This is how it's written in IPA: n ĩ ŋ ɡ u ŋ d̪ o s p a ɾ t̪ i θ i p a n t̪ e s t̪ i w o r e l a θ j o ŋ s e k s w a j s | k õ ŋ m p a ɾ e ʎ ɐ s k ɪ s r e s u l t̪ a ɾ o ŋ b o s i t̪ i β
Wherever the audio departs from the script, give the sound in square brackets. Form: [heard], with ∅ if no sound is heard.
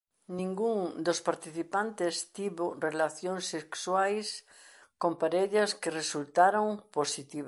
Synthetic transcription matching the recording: n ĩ ŋ ɡ u ŋ d̪ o s p a ɾ t̪ i θ i p a n t̪ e s t̪ i [β] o r e l a θ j o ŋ s e k s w a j s | k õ [∅] m p a ɾ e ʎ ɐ s k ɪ [∅] r e s u l t̪ a ɾ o ŋ [p] o s i t̪ i β